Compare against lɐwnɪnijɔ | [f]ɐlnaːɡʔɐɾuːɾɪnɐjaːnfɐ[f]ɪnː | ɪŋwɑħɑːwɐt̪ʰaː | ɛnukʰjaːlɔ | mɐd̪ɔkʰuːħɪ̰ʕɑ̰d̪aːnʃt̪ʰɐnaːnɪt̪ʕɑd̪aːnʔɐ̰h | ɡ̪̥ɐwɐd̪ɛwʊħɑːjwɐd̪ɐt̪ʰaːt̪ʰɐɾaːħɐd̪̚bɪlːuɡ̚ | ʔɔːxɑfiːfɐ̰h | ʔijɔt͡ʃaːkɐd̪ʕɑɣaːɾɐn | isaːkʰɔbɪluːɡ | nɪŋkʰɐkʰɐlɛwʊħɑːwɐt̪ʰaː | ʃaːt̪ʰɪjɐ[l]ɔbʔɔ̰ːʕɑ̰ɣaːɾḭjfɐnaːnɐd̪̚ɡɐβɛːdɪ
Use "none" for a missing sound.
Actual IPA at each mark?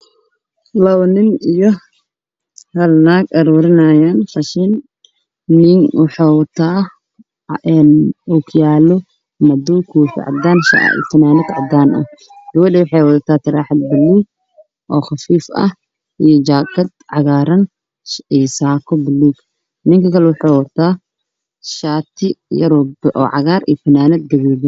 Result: h, ʃ, ɾ

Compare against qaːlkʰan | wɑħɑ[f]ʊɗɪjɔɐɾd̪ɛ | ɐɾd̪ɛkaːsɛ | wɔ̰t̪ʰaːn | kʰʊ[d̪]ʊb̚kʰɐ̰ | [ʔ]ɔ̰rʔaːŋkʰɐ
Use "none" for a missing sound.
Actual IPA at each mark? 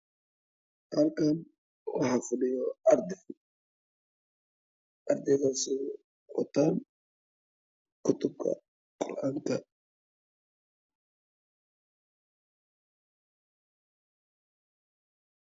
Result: f, t̪, q

